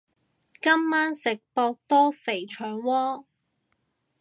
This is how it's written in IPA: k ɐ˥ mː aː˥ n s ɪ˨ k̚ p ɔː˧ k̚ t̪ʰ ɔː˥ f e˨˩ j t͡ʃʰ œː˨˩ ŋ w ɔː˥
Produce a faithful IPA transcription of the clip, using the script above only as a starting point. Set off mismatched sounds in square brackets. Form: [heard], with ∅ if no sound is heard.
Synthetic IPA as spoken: k ɐ˥ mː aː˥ n s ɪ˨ k̚ p ɔː˧ k̚ [t̪] ɔː˥ f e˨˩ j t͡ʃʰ œː˨˩ ŋ w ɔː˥